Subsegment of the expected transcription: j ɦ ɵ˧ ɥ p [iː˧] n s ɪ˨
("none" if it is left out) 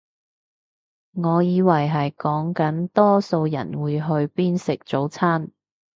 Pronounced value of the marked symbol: iː˥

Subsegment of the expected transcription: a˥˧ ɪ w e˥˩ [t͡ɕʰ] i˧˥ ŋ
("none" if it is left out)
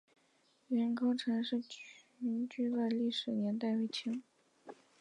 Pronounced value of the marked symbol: t͡ɕʰ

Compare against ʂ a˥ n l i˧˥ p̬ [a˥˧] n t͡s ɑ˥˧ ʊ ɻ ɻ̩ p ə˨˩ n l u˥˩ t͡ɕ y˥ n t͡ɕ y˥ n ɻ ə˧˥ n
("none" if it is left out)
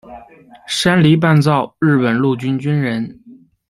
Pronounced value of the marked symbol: a˥˧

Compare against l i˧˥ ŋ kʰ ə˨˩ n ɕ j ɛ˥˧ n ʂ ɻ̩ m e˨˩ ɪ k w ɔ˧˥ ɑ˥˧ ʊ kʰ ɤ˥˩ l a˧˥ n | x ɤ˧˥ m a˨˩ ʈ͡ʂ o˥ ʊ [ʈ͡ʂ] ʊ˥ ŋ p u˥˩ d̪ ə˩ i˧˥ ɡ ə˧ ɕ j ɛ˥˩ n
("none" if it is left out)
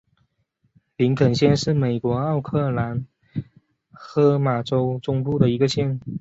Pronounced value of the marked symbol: ʈ͡ʂ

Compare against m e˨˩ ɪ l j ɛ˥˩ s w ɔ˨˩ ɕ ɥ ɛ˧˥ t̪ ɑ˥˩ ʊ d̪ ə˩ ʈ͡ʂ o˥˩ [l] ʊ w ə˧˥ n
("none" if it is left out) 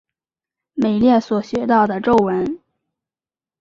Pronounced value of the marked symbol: none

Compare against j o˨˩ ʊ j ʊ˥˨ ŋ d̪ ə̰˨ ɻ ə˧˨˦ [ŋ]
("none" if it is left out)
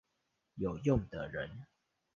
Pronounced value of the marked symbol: n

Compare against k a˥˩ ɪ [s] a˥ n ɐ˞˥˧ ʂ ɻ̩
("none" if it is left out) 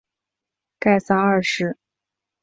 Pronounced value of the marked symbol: s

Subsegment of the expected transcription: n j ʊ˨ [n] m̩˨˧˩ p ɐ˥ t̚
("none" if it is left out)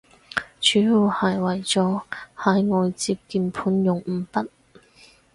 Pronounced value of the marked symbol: ŋ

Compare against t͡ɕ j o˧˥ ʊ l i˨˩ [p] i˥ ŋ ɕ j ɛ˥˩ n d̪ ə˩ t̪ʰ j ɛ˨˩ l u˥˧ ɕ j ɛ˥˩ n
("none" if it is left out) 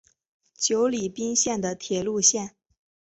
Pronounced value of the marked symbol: p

